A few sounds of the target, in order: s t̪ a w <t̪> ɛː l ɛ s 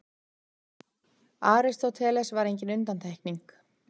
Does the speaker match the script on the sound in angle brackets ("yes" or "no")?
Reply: no